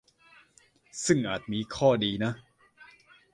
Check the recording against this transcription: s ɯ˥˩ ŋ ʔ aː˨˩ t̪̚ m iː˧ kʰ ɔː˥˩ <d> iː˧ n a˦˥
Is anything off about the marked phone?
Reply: no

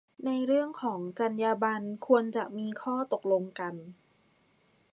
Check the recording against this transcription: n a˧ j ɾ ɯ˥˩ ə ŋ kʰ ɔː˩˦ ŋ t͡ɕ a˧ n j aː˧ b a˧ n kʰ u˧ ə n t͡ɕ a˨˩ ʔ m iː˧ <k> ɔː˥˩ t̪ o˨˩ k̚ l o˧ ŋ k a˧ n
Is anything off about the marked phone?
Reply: yes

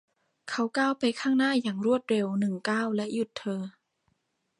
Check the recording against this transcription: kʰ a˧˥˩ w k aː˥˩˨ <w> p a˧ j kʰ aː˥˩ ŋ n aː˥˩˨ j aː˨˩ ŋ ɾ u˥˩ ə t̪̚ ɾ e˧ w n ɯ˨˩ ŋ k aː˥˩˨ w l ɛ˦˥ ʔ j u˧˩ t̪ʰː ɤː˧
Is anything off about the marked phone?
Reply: no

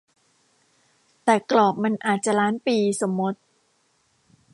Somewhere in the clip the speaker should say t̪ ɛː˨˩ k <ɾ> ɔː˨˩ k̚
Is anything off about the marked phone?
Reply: yes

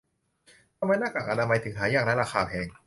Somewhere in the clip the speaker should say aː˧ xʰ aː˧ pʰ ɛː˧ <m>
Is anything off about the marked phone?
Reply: yes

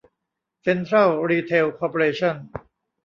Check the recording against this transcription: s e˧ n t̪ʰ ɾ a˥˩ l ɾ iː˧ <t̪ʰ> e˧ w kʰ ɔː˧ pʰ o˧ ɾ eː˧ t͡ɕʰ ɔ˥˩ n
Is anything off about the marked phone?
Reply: no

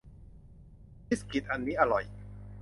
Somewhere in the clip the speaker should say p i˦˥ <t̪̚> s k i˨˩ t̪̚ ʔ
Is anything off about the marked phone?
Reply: yes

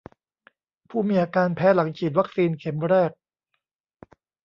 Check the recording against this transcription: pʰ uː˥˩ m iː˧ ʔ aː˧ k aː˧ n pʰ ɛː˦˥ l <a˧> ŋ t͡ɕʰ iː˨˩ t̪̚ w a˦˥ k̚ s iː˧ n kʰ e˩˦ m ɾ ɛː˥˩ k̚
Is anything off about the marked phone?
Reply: yes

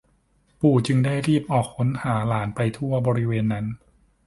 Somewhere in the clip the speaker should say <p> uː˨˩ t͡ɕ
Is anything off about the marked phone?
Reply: no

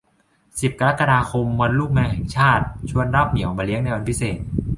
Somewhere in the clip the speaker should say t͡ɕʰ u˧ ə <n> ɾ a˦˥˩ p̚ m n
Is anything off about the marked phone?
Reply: no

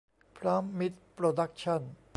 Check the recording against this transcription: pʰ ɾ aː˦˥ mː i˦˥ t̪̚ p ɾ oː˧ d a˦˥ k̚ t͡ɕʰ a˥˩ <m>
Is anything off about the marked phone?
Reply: yes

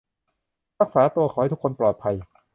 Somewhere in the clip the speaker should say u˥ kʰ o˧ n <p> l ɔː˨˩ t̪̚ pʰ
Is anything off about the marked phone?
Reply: no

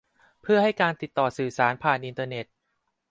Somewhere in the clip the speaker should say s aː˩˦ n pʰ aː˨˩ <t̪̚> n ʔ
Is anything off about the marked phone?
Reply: yes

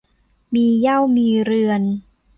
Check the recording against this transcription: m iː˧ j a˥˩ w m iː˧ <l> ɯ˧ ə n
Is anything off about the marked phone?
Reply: yes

